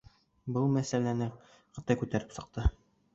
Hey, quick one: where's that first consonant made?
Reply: lips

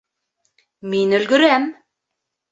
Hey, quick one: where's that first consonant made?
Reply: lips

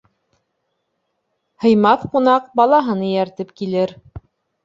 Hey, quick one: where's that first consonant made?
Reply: throat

